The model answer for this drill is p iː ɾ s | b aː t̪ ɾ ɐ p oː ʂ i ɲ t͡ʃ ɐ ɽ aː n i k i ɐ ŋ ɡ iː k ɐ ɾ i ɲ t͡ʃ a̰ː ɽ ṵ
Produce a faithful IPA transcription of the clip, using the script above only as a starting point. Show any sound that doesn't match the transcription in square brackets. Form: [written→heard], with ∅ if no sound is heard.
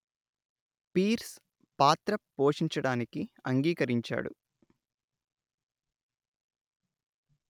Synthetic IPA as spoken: p iː ɾ s | [b→p] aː t̪ ɾ ɐ p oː ʂ i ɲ t͡ʃ ɐ ɽ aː n i k i ɐ ŋ ɡ iː k ɐ ɾ i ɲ t͡ʃ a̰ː ɽ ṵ